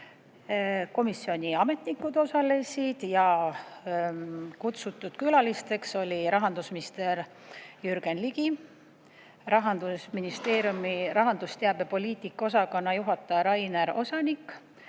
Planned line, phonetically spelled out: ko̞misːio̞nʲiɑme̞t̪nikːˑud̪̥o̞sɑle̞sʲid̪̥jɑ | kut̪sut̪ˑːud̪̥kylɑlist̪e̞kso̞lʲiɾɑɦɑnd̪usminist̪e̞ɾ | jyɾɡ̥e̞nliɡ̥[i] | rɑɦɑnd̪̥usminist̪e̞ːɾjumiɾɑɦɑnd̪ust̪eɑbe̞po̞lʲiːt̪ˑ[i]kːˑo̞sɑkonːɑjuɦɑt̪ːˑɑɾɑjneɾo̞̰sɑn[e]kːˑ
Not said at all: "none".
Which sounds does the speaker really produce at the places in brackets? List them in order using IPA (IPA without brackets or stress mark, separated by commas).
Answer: i, i, i